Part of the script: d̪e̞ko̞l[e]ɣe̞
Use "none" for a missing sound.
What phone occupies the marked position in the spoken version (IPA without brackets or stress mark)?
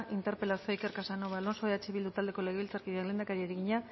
e